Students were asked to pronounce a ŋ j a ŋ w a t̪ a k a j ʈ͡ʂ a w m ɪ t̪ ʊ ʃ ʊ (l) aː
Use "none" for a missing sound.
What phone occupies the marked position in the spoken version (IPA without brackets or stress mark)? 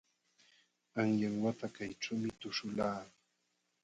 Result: l